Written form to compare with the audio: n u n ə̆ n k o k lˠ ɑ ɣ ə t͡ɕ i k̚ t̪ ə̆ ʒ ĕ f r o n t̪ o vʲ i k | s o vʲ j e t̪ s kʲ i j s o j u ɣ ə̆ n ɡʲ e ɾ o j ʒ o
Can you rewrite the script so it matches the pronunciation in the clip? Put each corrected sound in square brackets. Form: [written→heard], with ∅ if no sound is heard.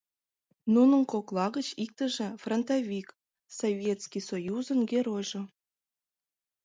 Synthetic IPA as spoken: n u n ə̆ n k o k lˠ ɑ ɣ ə t͡ɕ i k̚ t̪ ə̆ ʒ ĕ f r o n t̪ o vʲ i k | s o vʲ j e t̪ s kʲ i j s o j u [ɣ→z] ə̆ n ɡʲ e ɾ o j ʒ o